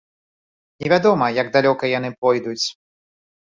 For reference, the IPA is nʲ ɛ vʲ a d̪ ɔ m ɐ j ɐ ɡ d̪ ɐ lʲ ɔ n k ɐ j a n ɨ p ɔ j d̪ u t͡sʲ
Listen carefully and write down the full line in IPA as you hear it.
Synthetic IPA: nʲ ɛ vʲ a d̪ ɔ m ɐ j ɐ ɡ d̪ a lʲ ɔ k ɐ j a n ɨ p ɔ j d̪ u t͡sʲ